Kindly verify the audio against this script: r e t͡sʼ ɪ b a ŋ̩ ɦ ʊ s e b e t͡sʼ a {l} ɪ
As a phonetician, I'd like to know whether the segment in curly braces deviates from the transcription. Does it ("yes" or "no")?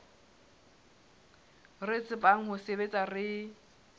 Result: yes